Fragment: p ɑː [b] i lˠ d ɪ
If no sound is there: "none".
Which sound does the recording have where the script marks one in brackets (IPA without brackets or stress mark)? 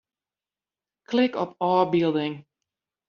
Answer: b